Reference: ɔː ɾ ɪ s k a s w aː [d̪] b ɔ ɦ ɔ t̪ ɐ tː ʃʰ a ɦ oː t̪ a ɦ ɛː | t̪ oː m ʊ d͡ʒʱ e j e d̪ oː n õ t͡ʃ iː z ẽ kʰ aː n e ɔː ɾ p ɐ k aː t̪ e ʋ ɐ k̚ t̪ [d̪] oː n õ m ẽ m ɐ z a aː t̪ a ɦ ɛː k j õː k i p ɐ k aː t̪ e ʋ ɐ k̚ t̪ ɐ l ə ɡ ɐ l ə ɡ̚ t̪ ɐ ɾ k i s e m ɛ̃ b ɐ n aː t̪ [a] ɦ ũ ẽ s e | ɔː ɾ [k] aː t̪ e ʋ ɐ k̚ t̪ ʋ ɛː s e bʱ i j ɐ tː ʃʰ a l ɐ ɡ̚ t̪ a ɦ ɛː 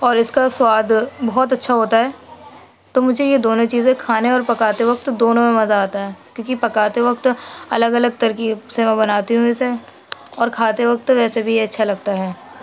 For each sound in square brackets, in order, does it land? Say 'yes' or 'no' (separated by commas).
yes, yes, no, no